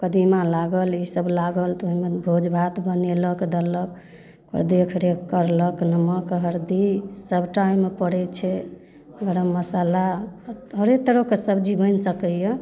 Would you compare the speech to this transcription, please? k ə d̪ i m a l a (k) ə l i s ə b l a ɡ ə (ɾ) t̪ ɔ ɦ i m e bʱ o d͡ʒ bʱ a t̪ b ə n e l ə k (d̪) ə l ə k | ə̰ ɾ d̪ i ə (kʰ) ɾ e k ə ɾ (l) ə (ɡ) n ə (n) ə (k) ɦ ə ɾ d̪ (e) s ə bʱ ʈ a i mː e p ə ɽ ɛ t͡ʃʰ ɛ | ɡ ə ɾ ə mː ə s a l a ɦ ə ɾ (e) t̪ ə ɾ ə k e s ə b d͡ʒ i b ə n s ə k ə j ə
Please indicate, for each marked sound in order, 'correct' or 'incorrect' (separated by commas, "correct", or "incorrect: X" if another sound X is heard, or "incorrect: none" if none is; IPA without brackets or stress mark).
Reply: incorrect: ɡ, incorrect: l, correct, correct, correct, incorrect: k, incorrect: m, correct, incorrect: i, correct